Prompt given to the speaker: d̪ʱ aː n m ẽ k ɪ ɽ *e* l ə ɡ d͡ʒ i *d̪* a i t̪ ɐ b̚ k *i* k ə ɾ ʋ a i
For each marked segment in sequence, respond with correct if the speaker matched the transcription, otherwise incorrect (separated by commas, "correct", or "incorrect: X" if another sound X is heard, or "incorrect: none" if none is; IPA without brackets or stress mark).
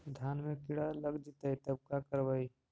incorrect: a, incorrect: t̪, incorrect: a